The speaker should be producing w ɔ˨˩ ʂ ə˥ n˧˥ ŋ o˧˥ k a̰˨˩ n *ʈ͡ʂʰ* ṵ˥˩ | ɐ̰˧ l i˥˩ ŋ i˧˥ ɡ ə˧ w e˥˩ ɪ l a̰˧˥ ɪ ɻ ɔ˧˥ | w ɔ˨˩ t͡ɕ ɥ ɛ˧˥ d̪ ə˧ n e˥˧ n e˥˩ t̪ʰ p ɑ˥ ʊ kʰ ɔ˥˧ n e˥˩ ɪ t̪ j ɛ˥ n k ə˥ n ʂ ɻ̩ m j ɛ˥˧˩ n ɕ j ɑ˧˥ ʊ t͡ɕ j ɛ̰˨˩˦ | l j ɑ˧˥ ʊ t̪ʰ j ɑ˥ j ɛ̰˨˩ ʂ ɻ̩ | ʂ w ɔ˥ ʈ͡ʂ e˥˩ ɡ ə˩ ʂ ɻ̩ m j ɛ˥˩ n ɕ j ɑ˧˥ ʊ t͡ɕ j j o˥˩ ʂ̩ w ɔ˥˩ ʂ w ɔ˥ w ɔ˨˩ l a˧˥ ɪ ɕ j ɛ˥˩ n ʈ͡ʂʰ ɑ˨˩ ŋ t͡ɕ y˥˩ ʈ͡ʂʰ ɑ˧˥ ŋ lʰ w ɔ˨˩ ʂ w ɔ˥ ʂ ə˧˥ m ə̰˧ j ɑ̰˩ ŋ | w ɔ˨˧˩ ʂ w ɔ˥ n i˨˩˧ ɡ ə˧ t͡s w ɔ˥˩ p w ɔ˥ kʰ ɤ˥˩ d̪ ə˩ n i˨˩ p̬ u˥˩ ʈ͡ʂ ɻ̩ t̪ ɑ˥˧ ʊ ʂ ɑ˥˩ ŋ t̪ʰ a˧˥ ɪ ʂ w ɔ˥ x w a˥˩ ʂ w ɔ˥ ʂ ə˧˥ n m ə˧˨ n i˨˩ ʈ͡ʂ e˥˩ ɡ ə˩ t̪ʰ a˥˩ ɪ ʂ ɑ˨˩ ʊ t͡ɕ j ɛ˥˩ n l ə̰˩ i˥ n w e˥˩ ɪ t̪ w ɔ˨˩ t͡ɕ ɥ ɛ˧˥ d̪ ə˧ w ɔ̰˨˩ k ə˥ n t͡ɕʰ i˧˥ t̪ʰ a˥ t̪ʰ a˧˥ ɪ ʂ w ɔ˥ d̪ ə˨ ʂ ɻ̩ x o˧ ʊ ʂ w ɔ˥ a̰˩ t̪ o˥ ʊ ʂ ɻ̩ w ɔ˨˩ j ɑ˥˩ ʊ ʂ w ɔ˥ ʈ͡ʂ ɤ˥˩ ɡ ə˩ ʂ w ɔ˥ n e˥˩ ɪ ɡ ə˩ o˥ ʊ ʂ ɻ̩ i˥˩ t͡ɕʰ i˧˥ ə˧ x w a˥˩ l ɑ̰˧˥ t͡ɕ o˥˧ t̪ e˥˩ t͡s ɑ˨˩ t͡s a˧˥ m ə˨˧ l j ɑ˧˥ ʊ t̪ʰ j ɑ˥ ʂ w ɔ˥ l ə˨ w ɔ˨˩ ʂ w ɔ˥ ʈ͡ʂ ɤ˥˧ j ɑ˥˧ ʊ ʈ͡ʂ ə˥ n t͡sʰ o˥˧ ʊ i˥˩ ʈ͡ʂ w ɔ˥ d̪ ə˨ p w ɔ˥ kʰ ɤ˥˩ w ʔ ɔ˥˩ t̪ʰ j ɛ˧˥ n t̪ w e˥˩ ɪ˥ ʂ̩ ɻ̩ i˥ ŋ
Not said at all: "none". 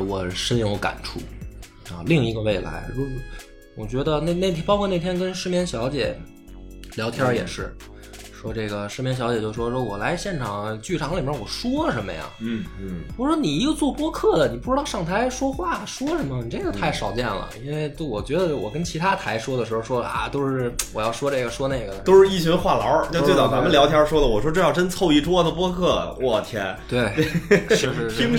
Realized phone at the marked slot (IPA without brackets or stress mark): ʈ͡ʂʰ